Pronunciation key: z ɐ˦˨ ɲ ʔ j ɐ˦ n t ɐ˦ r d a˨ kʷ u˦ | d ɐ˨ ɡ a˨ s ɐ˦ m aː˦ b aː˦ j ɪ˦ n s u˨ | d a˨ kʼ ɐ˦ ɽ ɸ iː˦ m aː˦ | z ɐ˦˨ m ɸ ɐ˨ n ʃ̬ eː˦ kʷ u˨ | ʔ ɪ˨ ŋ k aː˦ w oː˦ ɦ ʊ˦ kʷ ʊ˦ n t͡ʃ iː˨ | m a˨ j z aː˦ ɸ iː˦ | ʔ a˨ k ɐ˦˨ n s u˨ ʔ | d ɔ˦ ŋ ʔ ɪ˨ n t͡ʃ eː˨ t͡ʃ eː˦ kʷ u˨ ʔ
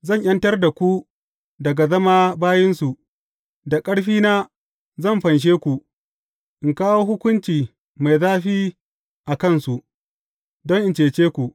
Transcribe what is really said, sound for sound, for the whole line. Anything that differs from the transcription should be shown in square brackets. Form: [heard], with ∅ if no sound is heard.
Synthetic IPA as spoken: z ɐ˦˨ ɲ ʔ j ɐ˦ n t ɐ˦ r d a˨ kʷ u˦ | d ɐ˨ ɡ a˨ [z] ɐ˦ m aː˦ b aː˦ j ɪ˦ n s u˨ | d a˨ kʼ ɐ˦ ɽ ɸ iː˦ [n] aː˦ | z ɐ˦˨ m ɸ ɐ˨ n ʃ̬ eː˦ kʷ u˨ | ʔ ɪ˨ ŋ k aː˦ w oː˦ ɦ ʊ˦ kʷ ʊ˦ n t͡ʃ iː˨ | m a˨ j z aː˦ ɸ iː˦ | ʔ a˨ k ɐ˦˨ n s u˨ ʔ | d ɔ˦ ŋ ʔ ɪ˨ n t͡ʃ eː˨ t͡ʃ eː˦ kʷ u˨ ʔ